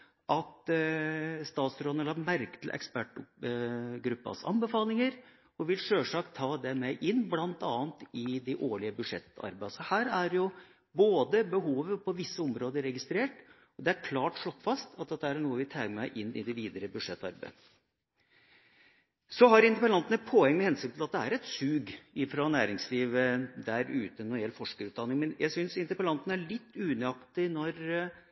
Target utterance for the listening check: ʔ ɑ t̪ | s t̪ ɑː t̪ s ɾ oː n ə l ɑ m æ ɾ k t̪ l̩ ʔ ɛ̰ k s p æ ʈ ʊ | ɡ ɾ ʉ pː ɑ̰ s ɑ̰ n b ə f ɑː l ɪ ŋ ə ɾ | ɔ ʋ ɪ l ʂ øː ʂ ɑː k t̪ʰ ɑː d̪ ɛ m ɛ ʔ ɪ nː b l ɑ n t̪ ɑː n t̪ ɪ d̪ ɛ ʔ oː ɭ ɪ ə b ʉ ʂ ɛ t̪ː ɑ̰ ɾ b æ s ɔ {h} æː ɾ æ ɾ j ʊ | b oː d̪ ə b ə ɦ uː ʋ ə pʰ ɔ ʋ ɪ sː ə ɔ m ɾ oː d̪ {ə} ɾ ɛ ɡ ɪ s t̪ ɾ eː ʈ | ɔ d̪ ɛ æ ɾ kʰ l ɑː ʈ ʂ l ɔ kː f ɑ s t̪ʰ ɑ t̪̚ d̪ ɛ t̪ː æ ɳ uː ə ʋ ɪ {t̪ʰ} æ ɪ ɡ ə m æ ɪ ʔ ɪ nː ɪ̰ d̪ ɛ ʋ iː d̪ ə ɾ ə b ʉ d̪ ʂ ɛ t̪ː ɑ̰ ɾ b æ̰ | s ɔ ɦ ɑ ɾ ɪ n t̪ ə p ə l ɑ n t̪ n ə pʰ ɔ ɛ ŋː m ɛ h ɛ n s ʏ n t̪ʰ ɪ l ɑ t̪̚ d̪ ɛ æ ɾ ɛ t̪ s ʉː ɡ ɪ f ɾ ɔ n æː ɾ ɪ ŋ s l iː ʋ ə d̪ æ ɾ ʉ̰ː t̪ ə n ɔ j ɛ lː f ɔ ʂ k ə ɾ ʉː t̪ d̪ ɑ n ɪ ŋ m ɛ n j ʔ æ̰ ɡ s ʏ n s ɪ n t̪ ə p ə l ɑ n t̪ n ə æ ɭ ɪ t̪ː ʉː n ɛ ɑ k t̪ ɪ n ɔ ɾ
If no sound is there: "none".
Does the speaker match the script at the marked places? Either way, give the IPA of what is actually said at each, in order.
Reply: h, ə, t̪ʰ

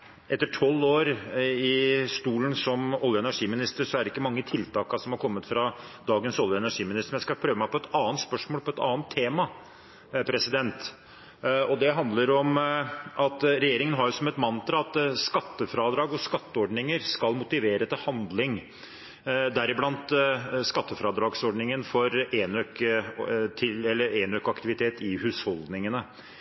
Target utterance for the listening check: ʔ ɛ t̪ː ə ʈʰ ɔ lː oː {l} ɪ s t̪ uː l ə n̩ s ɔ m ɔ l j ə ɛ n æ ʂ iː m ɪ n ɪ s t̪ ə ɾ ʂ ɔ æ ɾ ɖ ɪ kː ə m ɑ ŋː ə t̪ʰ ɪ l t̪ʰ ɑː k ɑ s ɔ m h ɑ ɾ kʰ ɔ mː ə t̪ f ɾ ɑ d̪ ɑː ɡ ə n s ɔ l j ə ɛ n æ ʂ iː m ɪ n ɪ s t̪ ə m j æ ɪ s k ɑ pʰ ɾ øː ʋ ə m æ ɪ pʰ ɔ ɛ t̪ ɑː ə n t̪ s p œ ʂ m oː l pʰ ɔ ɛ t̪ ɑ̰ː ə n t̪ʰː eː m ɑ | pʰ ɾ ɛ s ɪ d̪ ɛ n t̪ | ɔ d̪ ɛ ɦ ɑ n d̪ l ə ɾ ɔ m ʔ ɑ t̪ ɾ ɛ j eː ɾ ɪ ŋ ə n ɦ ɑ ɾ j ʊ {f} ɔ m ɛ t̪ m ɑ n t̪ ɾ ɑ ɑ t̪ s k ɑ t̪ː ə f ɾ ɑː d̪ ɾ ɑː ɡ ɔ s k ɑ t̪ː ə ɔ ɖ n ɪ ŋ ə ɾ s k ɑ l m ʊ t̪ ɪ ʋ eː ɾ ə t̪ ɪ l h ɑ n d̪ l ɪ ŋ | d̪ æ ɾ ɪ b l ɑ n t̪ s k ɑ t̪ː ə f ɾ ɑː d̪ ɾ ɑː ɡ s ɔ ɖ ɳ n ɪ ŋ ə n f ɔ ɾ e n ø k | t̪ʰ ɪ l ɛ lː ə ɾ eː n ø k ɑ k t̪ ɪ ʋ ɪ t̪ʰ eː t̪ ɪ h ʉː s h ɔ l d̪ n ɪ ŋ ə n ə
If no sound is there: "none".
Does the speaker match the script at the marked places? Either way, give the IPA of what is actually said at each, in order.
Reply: ɾ, s

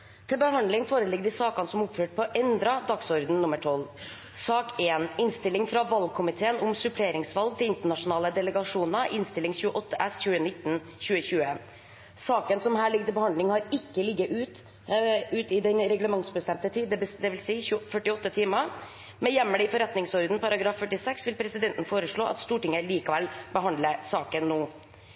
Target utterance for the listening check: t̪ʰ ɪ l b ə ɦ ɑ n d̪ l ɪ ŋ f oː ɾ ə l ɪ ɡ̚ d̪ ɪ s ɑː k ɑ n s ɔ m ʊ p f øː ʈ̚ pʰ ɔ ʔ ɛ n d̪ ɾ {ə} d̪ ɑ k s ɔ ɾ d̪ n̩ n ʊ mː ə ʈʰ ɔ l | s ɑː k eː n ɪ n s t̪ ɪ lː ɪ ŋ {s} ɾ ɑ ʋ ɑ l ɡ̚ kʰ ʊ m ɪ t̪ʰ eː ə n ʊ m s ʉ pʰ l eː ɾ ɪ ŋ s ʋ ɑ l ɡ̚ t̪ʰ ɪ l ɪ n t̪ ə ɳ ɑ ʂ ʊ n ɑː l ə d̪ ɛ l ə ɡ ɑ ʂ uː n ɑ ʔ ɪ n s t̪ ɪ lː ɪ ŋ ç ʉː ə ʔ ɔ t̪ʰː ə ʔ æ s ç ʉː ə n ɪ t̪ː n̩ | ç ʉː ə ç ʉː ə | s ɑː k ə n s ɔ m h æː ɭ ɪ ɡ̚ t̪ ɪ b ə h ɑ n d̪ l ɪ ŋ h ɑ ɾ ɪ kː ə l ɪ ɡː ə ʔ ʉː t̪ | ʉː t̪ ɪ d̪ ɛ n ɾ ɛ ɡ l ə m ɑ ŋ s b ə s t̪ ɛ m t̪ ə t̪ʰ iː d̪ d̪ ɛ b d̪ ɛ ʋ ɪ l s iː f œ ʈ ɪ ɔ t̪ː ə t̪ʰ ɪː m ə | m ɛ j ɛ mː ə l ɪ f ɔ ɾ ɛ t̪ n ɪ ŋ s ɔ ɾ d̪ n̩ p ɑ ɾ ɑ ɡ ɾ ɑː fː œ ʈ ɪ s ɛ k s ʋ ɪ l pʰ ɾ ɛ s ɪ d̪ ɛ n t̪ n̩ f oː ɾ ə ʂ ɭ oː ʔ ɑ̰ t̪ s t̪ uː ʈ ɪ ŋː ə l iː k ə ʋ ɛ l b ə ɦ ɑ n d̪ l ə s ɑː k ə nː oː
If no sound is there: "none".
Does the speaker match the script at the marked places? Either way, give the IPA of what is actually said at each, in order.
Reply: ɑ, f

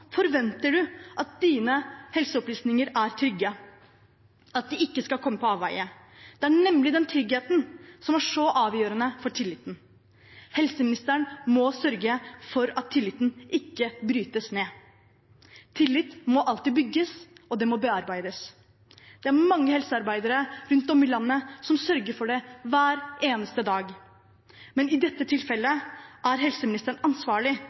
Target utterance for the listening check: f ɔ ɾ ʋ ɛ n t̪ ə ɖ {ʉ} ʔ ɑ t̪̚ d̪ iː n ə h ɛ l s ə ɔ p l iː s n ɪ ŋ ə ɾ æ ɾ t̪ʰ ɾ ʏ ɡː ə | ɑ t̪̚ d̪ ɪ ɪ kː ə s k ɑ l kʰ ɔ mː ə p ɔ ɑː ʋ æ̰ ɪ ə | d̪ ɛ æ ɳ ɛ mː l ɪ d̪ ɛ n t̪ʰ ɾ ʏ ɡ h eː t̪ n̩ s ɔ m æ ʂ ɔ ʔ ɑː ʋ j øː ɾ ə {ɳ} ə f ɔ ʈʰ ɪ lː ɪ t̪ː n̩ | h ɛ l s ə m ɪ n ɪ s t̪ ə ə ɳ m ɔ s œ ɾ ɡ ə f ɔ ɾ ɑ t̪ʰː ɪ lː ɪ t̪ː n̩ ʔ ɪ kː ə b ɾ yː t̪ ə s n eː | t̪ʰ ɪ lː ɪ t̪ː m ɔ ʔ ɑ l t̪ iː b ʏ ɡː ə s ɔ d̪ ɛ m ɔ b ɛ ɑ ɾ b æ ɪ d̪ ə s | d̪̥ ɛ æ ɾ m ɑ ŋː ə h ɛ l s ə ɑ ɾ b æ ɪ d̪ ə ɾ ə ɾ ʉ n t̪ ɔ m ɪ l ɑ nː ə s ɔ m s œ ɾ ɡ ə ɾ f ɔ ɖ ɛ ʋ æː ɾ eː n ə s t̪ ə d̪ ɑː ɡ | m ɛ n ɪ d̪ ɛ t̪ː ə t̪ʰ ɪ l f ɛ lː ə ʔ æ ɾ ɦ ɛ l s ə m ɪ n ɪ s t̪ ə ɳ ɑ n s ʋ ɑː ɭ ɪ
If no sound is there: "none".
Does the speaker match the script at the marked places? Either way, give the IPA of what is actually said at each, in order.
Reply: ʉ, n

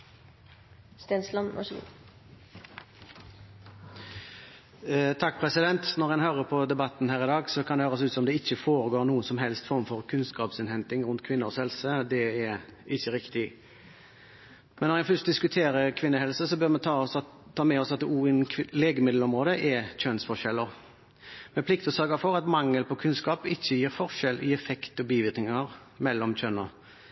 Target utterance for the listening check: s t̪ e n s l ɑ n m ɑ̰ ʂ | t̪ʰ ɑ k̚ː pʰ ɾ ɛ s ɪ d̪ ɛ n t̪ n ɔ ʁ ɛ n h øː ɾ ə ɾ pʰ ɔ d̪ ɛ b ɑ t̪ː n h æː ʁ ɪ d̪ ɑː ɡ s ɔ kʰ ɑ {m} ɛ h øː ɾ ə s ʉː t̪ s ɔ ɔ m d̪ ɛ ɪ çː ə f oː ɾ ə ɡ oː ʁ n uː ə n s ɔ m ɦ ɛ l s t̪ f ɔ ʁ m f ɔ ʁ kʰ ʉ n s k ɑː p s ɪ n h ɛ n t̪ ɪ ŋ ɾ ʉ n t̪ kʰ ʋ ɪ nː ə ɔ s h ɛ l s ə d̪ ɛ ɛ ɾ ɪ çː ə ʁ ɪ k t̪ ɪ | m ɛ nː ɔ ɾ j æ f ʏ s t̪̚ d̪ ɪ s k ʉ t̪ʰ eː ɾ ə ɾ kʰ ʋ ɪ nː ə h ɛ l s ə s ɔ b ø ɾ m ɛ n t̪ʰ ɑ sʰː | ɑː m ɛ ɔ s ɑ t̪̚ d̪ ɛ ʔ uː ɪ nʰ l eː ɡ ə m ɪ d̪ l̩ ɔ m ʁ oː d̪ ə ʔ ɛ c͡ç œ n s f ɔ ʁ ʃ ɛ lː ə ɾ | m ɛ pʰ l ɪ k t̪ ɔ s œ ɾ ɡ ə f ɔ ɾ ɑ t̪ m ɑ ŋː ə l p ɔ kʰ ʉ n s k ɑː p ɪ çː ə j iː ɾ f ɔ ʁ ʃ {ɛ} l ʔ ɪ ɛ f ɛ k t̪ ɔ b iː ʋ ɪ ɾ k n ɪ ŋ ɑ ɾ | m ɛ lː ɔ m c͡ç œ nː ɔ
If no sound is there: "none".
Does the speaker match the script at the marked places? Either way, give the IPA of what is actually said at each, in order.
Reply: n, ɛ

